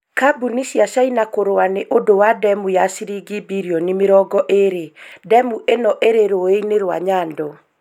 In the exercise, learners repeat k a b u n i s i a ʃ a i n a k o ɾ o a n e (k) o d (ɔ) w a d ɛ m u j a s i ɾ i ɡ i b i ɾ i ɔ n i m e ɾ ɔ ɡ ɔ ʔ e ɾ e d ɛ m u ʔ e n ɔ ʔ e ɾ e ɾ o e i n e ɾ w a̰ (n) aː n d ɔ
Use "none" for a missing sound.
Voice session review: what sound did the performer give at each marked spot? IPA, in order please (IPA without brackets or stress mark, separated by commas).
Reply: ʔ, o, ɲ